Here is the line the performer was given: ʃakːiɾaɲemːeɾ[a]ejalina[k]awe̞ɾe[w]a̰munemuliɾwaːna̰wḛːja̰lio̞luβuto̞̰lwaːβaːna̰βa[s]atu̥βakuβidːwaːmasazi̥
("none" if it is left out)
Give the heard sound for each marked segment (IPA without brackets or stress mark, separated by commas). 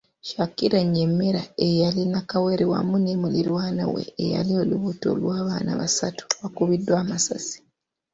a, k, w, s